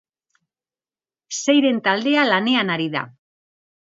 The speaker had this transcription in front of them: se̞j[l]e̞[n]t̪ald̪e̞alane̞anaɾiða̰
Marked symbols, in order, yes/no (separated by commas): no, yes